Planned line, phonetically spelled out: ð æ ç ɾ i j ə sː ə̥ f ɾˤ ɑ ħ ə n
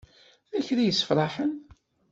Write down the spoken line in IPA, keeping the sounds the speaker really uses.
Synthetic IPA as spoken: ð æ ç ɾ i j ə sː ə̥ f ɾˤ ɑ ħ ə n

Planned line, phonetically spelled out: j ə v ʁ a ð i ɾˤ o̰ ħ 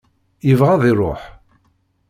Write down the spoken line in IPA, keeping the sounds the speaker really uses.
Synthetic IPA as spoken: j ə v ʁ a ð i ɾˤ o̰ ħ

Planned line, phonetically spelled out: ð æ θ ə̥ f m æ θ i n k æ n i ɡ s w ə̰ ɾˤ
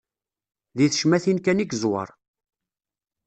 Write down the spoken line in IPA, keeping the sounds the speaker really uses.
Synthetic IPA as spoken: ð i θ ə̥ ʃ m æ θ i n k æ n i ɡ z w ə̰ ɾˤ

